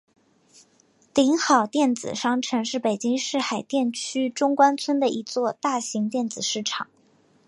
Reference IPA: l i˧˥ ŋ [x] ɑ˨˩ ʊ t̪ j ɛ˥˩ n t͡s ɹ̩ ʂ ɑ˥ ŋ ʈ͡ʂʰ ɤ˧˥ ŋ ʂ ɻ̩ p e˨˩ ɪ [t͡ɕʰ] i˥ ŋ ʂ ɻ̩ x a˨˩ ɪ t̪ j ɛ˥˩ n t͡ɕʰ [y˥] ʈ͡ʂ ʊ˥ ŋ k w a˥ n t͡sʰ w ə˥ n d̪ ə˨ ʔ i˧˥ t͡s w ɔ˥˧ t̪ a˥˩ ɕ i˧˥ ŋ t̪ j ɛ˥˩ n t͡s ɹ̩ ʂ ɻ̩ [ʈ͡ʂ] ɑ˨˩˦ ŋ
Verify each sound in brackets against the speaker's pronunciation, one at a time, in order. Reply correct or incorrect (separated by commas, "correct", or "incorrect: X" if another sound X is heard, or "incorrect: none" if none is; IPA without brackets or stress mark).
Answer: correct, incorrect: t͡ɕ, correct, incorrect: ʈ͡ʂʰ